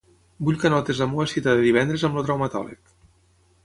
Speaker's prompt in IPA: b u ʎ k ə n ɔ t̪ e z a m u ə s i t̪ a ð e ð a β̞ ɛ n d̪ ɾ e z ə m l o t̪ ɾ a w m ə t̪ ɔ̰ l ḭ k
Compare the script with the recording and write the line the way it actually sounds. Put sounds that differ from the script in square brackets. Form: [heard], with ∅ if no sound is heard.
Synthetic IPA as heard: b u ʎ k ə n ɔ t̪ e z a m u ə s i t̪ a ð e ð [i] β̞ ɛ n d̪ ɾ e z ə m l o t̪ ɾ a w m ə t̪ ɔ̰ l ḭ k